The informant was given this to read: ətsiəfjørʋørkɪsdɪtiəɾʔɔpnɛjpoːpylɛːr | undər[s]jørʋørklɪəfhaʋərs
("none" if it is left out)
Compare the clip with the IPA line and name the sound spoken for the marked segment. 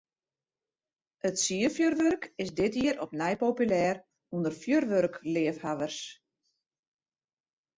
f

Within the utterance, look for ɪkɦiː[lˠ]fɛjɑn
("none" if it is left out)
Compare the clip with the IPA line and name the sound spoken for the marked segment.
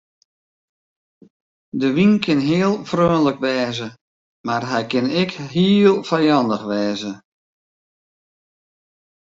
lˠ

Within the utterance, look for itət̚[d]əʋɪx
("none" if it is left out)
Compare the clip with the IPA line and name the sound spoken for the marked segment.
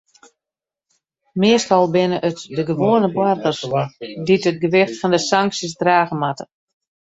ɡ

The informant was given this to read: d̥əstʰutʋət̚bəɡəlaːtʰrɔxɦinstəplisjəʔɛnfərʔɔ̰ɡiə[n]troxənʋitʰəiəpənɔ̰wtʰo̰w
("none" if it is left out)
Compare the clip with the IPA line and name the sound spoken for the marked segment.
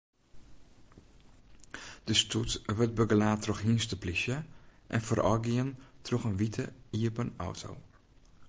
n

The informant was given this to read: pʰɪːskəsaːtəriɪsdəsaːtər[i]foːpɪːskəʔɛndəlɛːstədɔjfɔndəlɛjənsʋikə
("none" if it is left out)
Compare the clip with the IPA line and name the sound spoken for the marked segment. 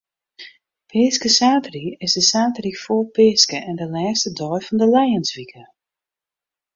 i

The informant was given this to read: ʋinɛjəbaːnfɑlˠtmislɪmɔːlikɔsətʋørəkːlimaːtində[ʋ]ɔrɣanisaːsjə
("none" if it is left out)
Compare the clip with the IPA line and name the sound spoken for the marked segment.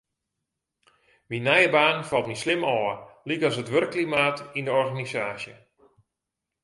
none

